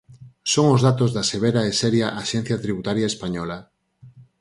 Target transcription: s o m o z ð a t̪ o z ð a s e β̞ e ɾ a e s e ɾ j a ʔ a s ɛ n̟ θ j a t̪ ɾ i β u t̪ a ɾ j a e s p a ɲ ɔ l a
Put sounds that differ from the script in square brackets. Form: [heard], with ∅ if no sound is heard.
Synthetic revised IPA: s o [ŋ] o z ð a t̪ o z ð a s e β̞ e ɾ a e s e ɾ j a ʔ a [ʃ] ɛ n̟ θ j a t̪ ɾ i β u t̪ a ɾ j a e s p a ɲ ɔ l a